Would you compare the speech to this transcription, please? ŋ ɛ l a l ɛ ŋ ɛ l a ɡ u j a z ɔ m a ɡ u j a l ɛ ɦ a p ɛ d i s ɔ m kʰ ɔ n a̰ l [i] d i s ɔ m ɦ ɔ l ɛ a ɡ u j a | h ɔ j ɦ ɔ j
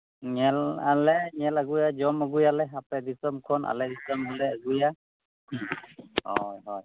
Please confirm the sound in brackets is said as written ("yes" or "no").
no